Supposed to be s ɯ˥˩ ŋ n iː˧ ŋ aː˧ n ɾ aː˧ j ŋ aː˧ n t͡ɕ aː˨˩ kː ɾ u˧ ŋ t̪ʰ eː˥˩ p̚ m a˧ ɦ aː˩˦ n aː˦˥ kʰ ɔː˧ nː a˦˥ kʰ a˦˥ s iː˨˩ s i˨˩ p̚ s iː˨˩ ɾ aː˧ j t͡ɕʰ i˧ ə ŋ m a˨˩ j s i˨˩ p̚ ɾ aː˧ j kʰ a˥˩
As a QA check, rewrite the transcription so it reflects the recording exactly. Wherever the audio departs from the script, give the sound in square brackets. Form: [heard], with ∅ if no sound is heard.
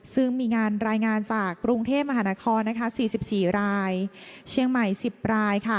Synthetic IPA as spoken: s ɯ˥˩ ŋ [m] iː˧ ŋ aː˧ n ɾ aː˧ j ŋ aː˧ n t͡ɕ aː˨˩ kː ɾ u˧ ŋ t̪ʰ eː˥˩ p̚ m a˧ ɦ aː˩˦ n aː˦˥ kʰ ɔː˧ nː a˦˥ kʰ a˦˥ s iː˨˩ s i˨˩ p̚ s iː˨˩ ɾ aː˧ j t͡ɕʰ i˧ ə ŋ m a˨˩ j s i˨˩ p̚ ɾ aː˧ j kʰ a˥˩